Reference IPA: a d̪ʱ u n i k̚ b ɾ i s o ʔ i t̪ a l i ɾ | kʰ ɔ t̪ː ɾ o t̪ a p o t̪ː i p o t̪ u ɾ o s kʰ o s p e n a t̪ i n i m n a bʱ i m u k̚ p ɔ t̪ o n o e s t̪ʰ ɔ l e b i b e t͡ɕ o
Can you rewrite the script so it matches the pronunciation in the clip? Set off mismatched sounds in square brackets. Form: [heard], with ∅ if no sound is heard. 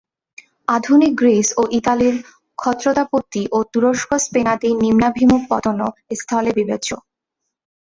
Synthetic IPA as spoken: a d̪ʱ u n i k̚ [ɡ] ɾ i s o ʔ i t̪ a l i ɾ | kʰ ɔ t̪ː ɾ o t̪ a p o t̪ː i [ʔ] o t̪ u ɾ o [ʃ] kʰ o s p e n a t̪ i n i m n a bʱ i m u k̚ p ɔ t̪ o n o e s t̪ʰ ɔ l e b i b e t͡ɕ o